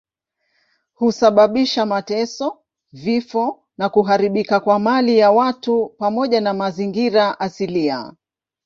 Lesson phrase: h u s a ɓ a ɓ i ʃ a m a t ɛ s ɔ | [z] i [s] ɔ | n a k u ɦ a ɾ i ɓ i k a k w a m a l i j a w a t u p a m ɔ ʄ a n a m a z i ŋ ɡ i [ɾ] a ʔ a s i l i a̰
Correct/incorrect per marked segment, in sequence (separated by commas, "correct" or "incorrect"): incorrect, incorrect, correct